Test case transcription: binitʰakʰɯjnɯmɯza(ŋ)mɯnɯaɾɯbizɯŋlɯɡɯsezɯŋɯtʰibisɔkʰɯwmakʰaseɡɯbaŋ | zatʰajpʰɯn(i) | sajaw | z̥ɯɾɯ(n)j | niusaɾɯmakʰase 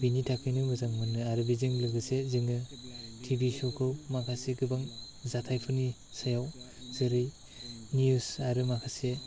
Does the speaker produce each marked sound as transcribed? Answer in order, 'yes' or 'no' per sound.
yes, yes, no

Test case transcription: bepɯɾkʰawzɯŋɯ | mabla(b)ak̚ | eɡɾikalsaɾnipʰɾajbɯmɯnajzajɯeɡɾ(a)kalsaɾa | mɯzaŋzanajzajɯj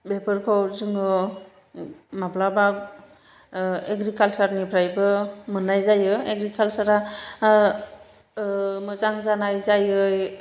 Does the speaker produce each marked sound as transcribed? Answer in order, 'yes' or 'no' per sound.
yes, no

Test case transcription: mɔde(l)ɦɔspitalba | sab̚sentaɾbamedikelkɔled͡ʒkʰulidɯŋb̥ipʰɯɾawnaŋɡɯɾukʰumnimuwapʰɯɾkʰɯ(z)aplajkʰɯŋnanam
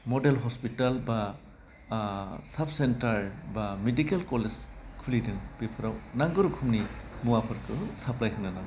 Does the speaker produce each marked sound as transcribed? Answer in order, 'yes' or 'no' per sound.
yes, no

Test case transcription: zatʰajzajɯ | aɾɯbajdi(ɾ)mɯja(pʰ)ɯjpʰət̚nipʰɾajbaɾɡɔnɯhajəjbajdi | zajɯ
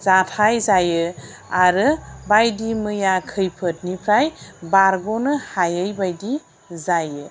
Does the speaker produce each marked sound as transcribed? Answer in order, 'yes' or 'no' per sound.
no, no

